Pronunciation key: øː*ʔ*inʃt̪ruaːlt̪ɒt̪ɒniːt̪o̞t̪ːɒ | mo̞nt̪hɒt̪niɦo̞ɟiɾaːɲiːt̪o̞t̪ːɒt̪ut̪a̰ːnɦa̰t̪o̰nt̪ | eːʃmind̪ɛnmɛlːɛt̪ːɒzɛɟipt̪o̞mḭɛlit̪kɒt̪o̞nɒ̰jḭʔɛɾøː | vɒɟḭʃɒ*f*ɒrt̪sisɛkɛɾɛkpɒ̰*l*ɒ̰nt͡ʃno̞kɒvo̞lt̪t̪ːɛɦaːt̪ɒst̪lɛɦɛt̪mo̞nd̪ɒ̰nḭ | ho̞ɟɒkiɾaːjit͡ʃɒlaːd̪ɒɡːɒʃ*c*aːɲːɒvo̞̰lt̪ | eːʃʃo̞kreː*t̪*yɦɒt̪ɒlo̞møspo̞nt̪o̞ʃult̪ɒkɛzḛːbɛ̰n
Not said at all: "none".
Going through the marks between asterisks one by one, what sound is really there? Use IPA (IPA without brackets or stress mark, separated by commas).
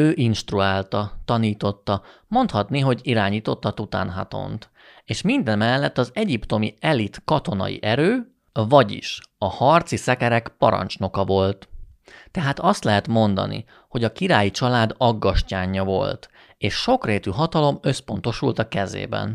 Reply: ʔ, h, ɾ, c, t̪